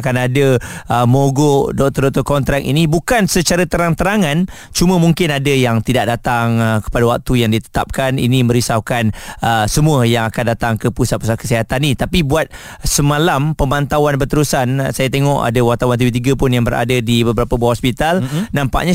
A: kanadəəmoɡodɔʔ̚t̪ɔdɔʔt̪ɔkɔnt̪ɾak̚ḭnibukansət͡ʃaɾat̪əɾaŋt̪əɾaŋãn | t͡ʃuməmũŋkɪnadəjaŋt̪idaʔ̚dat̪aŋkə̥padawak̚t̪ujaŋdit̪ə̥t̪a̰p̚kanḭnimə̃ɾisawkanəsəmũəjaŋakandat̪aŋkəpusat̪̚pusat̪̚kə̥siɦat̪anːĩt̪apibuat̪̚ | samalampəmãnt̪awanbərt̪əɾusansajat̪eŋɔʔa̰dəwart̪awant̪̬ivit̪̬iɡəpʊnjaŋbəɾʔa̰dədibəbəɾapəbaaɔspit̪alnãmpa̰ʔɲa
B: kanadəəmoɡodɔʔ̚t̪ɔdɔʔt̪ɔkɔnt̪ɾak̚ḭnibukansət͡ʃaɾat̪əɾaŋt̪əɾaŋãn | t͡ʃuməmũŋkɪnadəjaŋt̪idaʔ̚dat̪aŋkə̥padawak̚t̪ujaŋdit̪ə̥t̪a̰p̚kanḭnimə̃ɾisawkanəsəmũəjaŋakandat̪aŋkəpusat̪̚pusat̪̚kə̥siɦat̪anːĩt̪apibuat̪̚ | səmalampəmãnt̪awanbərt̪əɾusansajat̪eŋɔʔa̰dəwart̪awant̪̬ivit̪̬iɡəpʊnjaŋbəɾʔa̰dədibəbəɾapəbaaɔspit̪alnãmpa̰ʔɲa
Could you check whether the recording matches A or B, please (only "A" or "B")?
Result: B